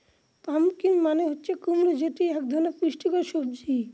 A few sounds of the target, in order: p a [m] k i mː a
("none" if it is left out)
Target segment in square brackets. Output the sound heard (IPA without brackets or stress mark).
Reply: m